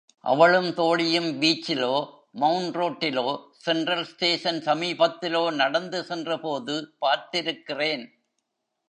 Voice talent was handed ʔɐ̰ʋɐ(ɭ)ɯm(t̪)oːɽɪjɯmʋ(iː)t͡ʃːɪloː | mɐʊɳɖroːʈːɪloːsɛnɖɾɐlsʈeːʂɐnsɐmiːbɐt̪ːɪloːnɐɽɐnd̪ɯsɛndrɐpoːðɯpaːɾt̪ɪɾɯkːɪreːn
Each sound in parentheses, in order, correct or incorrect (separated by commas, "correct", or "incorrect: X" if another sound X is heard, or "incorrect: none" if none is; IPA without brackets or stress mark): correct, correct, correct